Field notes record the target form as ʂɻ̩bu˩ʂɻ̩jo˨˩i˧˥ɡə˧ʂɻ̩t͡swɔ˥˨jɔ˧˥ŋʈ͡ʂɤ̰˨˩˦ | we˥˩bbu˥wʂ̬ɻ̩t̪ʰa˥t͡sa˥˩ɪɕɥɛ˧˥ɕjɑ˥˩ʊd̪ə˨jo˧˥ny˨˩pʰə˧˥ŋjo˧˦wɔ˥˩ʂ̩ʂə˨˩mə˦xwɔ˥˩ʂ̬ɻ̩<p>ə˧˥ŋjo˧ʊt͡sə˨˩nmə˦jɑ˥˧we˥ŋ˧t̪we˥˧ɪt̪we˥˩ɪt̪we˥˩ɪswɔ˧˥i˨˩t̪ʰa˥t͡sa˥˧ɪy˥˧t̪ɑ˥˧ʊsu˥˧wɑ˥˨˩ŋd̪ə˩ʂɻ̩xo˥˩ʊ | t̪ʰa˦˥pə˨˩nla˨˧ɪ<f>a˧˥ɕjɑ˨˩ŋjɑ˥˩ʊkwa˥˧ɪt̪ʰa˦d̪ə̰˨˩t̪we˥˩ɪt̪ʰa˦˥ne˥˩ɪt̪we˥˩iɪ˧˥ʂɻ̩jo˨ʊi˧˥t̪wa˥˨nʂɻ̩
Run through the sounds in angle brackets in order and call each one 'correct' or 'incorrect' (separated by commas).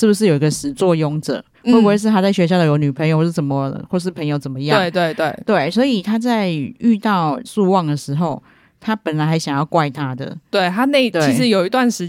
incorrect, incorrect